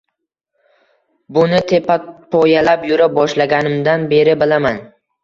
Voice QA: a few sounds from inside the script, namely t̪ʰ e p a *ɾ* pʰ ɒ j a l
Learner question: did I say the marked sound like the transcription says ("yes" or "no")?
no